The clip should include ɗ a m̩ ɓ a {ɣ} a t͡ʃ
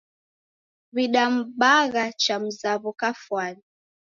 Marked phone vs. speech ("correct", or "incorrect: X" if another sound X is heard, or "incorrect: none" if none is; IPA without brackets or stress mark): correct